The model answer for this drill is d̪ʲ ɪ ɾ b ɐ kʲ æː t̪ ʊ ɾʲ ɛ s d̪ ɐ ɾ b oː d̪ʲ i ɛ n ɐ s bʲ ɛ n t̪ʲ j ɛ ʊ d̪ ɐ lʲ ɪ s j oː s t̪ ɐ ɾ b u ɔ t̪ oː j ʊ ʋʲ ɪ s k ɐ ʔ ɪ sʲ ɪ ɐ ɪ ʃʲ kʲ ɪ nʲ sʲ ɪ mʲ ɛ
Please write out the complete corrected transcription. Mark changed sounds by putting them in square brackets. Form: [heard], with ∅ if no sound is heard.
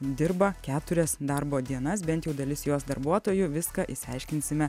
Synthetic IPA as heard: d̪ʲ ɪ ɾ b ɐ kʲ æː t̪ ʊ ɾʲ ɛ s d̪ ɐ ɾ b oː d̪ʲ i ɛ n ɐ s bʲ ɛ n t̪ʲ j ɛ ʊ d̪ ɐ lʲ ɪ s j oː s [d̪] ɐ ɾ b u ɔ t̪ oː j ʊ ʋʲ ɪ s k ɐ ʔ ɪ sʲ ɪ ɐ ɪ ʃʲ kʲ ɪ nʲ sʲ ɪ mʲ ɛ